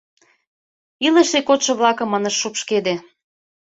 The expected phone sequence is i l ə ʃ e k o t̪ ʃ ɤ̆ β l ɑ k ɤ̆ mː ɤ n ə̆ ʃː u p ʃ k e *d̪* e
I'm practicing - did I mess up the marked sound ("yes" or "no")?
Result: no